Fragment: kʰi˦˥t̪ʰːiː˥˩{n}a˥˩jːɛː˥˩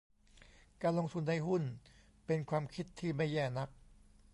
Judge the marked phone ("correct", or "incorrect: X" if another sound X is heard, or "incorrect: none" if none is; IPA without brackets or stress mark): incorrect: m